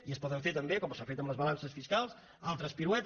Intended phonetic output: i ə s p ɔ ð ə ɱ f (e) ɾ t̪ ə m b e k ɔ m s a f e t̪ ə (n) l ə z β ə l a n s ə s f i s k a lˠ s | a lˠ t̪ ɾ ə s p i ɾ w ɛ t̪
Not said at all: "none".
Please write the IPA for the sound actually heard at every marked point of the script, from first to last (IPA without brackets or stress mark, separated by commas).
e, m